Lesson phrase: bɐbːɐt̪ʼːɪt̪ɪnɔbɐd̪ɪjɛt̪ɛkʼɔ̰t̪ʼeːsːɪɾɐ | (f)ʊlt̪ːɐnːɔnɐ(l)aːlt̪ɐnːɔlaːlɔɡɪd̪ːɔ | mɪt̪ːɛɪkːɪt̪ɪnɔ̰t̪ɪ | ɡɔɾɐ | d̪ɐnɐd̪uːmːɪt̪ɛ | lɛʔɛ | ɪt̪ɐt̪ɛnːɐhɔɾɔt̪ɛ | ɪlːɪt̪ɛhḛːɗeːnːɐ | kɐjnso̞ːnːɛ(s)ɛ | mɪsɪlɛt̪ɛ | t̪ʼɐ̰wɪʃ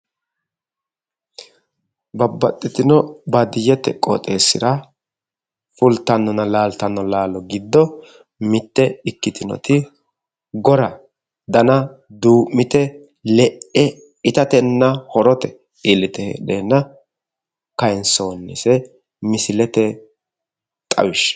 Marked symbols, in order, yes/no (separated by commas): yes, yes, yes